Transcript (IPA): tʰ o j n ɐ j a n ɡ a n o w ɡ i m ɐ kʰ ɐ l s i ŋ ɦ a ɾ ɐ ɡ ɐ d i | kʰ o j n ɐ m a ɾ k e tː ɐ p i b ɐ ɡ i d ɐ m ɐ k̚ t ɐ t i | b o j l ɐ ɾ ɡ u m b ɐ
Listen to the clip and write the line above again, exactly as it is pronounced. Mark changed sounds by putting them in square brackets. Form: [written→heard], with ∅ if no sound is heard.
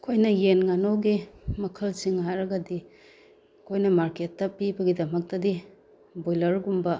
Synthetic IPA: [tʰ→kʰ] o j n ɐ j [a→e] n [ɡ→ŋ] a n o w ɡ i m ɐ kʰ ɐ l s i ŋ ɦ a ɾ ɐ ɡ ɐ d i | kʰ o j n ɐ m a ɾ k e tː ɐ p i b ɐ ɡ i d ɐ m ɐ k̚ t ɐ [t→d] i | b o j l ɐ ɾ ɡ u m b ɐ